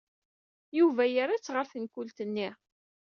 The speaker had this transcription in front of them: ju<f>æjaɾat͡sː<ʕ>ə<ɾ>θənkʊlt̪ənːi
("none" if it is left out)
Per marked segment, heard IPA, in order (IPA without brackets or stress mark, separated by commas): v, ʁ, ɾ